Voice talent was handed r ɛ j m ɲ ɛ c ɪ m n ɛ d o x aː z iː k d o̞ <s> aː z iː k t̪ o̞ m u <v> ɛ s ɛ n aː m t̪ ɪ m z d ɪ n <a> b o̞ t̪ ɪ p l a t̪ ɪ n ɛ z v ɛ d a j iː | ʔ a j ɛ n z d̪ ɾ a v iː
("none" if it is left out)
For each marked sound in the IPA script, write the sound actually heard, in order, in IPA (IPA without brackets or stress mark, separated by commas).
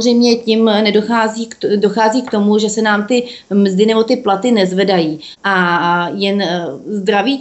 x, ʒ, ɛ